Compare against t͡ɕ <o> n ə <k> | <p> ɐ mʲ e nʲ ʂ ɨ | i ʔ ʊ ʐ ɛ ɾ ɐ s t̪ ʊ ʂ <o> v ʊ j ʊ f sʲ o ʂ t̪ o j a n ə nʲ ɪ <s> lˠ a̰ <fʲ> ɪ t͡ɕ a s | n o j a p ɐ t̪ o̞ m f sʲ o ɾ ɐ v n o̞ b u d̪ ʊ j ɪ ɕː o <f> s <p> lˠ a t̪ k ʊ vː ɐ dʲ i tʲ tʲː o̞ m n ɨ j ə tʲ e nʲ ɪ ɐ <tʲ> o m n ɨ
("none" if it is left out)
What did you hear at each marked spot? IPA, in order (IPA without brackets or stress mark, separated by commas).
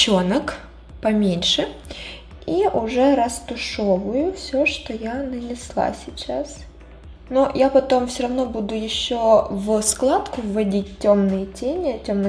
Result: o, k, p, o, s, sʲ, v, k, tʲ